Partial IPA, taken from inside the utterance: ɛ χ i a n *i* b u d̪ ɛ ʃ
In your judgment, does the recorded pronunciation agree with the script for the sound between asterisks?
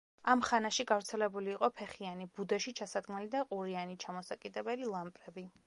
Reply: yes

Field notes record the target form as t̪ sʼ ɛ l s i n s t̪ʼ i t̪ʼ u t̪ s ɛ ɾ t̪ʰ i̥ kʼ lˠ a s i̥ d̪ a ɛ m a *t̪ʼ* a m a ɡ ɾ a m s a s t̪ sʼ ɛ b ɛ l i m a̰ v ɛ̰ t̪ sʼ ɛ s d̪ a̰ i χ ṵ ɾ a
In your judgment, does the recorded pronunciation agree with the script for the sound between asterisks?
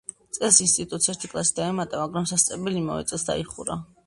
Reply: yes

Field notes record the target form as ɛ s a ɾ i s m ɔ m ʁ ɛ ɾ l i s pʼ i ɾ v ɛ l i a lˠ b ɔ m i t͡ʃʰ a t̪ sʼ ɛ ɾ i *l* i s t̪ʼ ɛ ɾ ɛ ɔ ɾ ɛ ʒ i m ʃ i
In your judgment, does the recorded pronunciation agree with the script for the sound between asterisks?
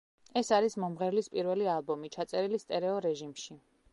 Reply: yes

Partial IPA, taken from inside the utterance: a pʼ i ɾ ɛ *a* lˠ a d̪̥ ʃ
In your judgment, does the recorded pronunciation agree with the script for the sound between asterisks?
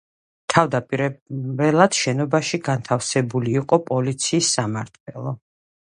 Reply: no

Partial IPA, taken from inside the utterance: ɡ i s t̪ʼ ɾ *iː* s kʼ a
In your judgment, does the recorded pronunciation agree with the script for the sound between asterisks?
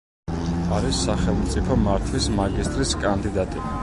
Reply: no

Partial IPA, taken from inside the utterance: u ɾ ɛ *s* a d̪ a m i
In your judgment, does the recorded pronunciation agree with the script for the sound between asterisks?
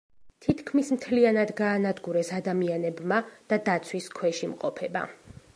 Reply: yes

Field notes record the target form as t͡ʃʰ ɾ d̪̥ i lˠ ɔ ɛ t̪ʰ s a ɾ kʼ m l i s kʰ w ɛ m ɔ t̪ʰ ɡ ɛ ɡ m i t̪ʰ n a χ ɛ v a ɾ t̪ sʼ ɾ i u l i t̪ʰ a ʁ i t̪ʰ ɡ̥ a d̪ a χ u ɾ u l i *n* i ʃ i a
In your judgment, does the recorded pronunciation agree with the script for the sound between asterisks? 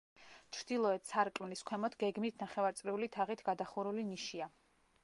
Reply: yes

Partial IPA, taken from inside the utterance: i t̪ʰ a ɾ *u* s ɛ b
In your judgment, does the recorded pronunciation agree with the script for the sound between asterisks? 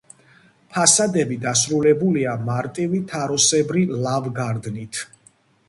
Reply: no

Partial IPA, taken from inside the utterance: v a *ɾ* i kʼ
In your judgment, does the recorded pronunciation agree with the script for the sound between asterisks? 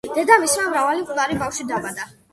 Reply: no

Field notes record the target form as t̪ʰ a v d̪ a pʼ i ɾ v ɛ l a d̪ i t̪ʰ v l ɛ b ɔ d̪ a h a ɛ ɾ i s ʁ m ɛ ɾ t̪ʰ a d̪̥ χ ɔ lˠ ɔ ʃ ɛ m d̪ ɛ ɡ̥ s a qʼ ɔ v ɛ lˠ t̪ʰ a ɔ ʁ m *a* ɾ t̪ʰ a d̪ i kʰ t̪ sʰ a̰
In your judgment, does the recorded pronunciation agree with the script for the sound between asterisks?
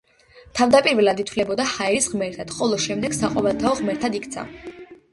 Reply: no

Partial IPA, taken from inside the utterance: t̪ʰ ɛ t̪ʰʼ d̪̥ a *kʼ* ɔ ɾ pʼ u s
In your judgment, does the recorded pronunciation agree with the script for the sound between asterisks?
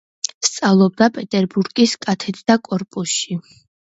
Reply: yes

